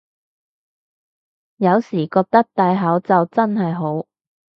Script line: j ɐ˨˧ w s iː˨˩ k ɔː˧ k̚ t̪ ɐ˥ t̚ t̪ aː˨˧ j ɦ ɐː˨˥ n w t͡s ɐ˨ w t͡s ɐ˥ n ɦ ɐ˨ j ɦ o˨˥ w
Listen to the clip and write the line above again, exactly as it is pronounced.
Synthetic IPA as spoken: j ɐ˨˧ w s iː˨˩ k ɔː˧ k̚ t̪ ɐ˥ k̚ t̪ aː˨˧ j ɦ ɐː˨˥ w t͡s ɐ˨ w t͡s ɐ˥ n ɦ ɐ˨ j ɦ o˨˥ w